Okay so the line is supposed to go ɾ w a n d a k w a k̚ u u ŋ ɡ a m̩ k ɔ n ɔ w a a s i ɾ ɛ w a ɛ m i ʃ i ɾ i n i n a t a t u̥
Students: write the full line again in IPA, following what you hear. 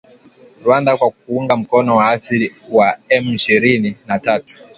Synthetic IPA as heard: ɾ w a n d a k w a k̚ u u ŋ ɡ a m̩ k ɔ n ɔ w a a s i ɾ i w a ɛ m i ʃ i ɾ i n i n a t a t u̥